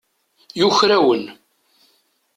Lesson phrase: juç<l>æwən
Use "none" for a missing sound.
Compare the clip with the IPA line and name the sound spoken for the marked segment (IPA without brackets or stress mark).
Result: ɾ